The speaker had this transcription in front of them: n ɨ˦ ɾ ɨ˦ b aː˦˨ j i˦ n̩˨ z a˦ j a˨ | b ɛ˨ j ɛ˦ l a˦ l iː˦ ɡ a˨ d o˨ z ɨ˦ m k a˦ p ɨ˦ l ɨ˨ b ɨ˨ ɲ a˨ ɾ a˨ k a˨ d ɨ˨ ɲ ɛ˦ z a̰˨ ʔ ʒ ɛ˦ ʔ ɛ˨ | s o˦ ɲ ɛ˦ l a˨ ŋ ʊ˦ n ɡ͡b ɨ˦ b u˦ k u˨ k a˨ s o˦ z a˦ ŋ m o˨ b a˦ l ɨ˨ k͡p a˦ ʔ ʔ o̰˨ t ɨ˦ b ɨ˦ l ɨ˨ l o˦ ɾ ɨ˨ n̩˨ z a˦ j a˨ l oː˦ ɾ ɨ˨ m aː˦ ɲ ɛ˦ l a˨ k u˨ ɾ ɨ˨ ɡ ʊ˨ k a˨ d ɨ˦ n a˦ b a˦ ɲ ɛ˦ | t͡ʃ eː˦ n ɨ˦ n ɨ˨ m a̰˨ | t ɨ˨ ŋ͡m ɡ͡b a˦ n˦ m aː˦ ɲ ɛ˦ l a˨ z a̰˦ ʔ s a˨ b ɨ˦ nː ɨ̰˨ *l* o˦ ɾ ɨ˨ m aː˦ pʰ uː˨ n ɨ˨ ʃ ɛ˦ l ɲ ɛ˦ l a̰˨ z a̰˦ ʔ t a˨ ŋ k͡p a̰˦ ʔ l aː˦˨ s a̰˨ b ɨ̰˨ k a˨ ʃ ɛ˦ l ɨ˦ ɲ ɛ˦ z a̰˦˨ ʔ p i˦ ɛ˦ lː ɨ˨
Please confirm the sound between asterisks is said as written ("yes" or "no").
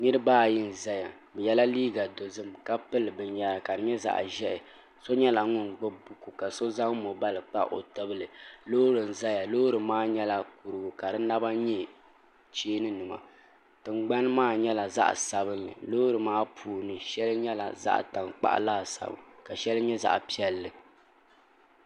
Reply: yes